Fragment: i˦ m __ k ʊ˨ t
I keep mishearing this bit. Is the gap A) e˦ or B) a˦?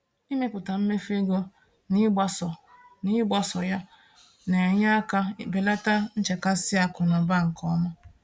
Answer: A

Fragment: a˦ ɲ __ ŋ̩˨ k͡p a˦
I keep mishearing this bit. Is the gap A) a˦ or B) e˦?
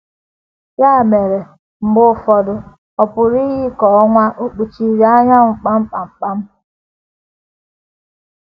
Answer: A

